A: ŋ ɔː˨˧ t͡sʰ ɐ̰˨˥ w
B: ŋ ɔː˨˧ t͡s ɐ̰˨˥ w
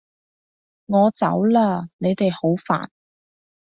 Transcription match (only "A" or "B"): B